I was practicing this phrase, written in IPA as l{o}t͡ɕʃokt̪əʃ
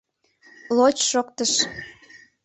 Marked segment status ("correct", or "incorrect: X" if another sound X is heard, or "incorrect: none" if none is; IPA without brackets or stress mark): correct